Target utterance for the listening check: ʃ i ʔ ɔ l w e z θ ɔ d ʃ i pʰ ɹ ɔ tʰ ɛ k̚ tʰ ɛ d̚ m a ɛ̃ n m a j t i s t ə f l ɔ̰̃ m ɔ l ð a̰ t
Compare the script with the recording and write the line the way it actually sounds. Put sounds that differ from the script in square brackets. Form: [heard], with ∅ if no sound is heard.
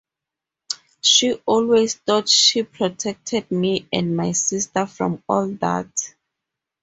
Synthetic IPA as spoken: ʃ i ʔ ɔ l w e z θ ɔ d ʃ i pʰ ɹ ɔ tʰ ɛ k̚ tʰ ɛ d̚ m [i] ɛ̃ n m a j [s] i s t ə f [ɹ] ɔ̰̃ m ɔ l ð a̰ t

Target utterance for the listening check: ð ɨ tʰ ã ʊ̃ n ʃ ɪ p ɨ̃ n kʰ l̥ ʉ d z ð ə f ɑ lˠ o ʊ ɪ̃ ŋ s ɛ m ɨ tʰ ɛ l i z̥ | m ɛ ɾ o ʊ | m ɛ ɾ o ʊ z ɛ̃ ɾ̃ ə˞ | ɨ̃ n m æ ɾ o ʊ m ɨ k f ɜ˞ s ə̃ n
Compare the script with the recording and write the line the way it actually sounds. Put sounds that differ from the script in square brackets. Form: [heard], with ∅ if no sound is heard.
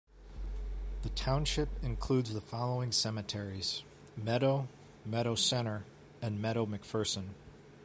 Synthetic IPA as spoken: ð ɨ tʰ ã ʊ̃ n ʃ ɪ p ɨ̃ n kʰ l̥ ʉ d z ð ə f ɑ lˠ o ʊ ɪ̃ ŋ s ɛ m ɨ tʰ ɛ [ɹ] i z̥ | m ɛ ɾ o ʊ | m ɛ ɾ o ʊ [s] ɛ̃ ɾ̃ ə˞ | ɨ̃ n m [ɛ] ɾ o ʊ m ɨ k f ɜ˞ s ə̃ n

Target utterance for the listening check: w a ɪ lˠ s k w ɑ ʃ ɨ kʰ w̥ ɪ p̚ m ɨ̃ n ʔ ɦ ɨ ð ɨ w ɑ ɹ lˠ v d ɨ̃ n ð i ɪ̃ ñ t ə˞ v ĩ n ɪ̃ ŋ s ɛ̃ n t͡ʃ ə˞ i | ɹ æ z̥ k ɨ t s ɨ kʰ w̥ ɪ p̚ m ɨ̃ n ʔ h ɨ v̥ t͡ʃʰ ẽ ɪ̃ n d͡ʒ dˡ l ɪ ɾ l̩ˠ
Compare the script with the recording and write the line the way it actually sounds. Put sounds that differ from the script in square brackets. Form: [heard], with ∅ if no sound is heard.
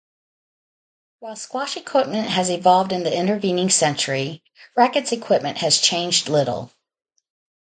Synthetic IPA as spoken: w a ɪ lˠ s k w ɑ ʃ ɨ kʰ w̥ ɪ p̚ m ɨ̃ n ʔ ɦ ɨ [z] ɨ [v] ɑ [∅] lˠ v d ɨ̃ n ð i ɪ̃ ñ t ə˞ v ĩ n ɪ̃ ŋ s ɛ̃ n t͡ʃ ə˞ i | ɹ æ [∅] k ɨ t s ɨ kʰ w̥ ɪ p̚ m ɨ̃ n ʔ h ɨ [z̥] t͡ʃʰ ẽ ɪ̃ n d͡ʒ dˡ l ɪ ɾ l̩ˠ

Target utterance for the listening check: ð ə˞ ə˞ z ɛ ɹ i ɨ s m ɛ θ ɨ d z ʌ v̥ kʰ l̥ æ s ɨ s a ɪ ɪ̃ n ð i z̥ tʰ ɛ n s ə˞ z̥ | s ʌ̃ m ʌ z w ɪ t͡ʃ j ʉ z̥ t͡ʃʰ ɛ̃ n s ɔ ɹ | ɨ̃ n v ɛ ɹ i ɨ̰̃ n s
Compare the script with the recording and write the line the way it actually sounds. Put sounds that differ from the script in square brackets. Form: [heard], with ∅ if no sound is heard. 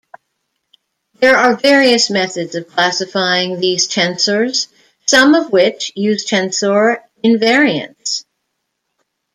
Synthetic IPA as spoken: ð ə˞ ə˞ [v] ɛ ɹ i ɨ s m ɛ θ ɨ d z ʌ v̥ kʰ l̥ æ s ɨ [f] a ɪ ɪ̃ [ŋ] ð i z̥ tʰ [ɛ̃] n s ə˞ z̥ | s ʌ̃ m ʌ [v] w ɪ t͡ʃ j ʉ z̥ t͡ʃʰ ɛ̃ n s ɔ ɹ | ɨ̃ n v ɛ ɹ i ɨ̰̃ n s

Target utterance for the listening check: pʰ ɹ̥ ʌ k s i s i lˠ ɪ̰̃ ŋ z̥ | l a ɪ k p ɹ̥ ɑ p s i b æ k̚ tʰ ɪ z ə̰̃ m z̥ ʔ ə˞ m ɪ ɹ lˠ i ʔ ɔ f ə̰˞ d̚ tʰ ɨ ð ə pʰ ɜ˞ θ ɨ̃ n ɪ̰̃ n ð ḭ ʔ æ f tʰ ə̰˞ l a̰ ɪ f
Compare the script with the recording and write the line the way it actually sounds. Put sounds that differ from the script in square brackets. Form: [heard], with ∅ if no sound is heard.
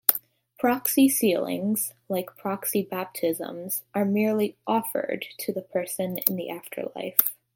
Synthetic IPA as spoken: pʰ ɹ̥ [ɑ] k s i s i lˠ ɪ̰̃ ŋ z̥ | l a ɪ k [pʰ] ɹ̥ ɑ [k] s i b æ [p̚] tʰ ɪ z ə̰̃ m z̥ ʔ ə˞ m ɪ ɹ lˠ i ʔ ɔ f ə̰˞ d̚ tʰ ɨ ð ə pʰ ɜ˞ [s] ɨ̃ n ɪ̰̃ n ð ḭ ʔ æ f tʰ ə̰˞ l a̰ ɪ f

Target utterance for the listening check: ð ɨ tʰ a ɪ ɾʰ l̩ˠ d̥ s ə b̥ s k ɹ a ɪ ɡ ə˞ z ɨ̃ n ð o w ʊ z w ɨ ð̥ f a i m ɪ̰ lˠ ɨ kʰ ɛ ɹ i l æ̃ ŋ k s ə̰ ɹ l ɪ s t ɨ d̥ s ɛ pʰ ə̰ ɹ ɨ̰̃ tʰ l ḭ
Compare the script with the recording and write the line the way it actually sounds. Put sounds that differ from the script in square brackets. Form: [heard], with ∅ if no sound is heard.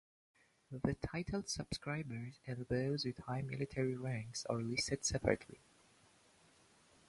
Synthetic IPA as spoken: ð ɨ tʰ a ɪ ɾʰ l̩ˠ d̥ s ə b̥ s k ɹ a ɪ [b] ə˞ z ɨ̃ n ð o [∅] ʊ z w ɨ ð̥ [h] a [ɪ] m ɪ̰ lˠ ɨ [tʰ] ɛ ɹ i [ɹ] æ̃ ŋ k s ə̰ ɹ l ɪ s t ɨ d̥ s ɛ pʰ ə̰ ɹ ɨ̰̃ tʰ l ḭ

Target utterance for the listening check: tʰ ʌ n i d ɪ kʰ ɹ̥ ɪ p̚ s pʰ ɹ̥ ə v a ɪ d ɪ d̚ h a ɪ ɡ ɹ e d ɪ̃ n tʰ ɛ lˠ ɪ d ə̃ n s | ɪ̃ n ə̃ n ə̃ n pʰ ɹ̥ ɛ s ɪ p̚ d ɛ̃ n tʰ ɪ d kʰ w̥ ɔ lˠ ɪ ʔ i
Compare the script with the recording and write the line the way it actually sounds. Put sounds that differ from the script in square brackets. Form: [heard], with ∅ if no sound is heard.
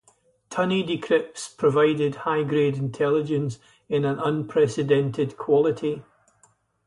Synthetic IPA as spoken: tʰ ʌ n i d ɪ kʰ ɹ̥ ɪ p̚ s pʰ ɹ̥ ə v a ɪ d ɪ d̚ h a ɪ ɡ ɹ e d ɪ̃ n tʰ ɛ lˠ ɪ [d͡ʒ] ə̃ n s | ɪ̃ n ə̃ n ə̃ n pʰ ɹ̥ ɛ s ɪ [∅] d ɛ̃ n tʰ ɪ d kʰ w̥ ɔ lˠ ɪ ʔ i

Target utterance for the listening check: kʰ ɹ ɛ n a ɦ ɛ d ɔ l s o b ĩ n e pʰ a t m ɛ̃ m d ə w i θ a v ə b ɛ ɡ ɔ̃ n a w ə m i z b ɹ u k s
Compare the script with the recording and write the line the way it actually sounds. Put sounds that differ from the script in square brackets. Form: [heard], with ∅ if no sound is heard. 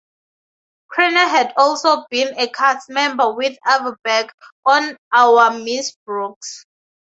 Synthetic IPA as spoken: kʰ ɹ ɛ n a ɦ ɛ d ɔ l s o b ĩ n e [kʰ] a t m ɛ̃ m [b] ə w i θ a v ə b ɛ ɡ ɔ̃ n a w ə m i [s] b ɹ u k s

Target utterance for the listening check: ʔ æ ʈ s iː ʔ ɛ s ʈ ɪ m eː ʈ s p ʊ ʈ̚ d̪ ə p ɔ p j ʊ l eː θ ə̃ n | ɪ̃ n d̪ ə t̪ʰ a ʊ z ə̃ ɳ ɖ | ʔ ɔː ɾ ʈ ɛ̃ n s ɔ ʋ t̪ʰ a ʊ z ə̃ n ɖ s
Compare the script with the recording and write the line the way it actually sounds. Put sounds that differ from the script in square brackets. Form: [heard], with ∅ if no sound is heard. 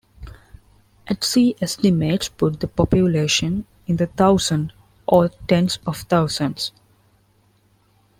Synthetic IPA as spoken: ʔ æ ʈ s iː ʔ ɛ s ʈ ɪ m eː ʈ s p ʊ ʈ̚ d̪ ə p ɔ p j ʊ l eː [ʃ] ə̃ n | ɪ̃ n d̪ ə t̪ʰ a ʊ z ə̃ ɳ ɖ | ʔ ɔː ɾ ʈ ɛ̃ n s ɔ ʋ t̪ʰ a ʊ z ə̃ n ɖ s

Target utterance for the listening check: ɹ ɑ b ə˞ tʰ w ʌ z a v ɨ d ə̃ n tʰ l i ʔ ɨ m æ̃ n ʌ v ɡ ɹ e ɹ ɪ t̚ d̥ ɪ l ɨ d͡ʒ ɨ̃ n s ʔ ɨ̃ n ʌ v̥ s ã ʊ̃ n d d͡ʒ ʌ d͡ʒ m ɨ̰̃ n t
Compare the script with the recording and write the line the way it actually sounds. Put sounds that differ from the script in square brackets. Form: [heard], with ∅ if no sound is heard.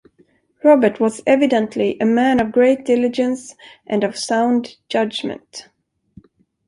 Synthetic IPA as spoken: ɹ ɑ b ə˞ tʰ w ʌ z [ɛ] v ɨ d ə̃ n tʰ l i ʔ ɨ m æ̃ n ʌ v ɡ ɹ e [∅] ɪ t̚ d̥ ɪ l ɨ d͡ʒ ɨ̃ n s ʔ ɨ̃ n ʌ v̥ s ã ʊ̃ n d d͡ʒ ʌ d͡ʒ m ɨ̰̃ n t

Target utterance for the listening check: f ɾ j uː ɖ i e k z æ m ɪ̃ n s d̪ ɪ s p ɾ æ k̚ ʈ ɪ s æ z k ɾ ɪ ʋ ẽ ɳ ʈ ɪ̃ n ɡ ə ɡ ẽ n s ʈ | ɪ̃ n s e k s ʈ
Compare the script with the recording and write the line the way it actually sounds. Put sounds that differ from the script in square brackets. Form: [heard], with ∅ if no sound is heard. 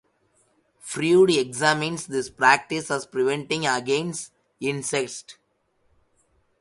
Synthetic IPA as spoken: f ɾ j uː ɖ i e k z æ m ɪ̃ n s d̪ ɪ s p ɾ æ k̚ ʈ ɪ s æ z [p] ɾ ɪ ʋ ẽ ɳ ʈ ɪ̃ [ŋ] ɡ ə ɡ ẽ n s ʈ | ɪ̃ n s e k s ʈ

